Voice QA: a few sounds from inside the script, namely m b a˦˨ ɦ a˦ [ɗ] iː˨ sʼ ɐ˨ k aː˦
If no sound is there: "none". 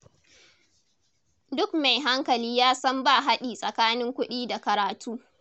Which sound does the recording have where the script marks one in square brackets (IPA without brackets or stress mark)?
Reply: ɗ